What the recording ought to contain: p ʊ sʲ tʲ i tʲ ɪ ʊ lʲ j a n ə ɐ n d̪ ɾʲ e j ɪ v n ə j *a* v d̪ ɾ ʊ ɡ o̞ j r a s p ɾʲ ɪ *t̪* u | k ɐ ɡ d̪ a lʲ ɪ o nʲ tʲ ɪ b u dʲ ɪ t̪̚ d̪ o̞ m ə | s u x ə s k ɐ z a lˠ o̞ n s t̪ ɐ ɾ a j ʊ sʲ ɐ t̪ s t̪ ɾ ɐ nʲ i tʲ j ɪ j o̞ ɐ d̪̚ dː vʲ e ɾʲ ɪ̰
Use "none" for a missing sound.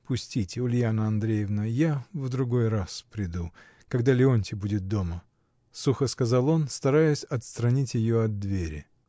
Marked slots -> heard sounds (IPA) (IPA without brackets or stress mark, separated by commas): a, d̪